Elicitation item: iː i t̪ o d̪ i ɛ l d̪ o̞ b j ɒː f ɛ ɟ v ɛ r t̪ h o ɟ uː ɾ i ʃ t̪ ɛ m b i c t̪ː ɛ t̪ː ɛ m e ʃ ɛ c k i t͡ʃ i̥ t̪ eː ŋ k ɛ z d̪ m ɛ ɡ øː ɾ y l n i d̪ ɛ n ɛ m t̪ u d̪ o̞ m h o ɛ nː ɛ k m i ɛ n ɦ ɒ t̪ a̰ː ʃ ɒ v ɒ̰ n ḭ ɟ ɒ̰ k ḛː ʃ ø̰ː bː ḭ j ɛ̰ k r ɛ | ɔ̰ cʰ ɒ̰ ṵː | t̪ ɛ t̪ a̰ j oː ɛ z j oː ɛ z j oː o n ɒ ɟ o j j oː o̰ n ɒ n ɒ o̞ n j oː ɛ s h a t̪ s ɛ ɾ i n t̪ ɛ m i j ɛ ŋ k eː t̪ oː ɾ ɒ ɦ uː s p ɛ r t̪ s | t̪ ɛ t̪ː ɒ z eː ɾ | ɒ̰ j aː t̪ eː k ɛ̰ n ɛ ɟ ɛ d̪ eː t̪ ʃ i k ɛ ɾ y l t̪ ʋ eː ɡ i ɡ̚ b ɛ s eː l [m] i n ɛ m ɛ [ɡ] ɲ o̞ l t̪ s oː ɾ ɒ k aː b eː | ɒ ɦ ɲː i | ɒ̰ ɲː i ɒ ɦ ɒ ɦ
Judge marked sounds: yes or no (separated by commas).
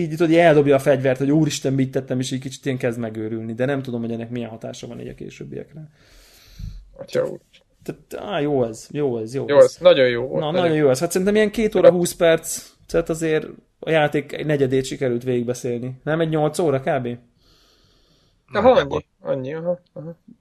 no, no